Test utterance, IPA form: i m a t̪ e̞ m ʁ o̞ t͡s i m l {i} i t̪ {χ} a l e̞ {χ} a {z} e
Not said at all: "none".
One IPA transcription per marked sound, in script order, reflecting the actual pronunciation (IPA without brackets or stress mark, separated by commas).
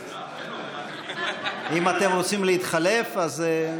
e, χ, f, z